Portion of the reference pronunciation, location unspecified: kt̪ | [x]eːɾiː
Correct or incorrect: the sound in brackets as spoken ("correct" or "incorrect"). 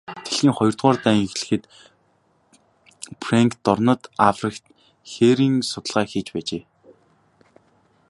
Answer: correct